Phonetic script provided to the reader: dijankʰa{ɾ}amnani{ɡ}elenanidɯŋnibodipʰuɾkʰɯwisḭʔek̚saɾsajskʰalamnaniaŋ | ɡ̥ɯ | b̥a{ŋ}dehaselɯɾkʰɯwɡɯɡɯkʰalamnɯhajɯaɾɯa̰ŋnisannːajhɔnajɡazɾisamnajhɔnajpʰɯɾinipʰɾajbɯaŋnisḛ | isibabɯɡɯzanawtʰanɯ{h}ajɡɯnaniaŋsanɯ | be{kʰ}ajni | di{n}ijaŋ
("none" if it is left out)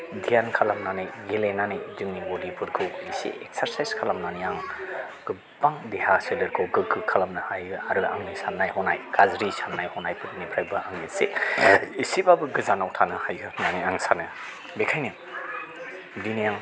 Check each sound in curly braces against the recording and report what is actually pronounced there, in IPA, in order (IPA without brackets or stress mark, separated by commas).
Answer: l, ɡ, ŋ, h, kʰ, n